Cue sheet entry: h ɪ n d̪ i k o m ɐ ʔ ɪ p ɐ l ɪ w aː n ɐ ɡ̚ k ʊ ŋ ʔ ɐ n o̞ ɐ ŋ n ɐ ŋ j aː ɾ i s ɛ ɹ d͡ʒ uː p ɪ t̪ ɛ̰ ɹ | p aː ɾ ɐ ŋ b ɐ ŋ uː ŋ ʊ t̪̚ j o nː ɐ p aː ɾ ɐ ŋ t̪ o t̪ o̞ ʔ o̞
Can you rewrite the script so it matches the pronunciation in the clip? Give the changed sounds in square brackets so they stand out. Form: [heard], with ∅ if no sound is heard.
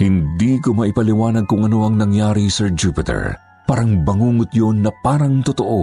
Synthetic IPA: h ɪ n d̪ i k o m ɐ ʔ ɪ p ɐ l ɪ w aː n ɐ ɡ̚ k ʊ ŋ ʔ ɐ n o̞ ɐ ŋ n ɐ ŋ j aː ɾ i s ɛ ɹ d͡ʒ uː p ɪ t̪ ɛ̰ ɹ | p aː ɾ ɐ ŋ b ɐ ŋ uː ŋ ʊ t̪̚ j o nː ɐ p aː ɾ ɐ ŋ t̪ o t̪ o̞ ʔ o̞